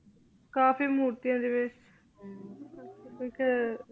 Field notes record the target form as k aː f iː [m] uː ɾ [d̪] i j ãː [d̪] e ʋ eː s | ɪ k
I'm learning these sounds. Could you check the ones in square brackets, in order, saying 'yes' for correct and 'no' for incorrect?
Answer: yes, no, yes

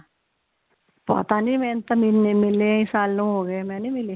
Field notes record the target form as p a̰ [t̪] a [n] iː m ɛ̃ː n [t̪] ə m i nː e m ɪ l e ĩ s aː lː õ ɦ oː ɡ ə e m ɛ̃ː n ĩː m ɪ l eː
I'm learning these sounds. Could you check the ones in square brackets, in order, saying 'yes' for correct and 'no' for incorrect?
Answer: yes, yes, yes

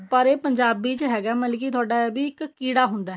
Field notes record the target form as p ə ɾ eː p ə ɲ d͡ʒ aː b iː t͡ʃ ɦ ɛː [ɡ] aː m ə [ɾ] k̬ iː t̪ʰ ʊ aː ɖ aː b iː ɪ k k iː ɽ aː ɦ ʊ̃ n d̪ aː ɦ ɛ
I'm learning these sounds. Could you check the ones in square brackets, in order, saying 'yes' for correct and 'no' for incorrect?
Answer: yes, no

